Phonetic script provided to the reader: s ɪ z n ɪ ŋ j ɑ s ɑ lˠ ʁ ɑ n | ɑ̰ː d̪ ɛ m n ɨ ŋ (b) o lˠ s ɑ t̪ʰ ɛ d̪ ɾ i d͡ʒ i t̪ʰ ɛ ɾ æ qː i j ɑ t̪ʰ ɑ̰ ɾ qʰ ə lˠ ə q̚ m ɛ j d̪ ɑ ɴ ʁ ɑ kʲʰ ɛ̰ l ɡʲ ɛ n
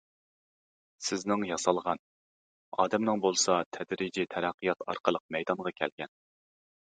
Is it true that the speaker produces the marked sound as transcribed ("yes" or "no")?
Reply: yes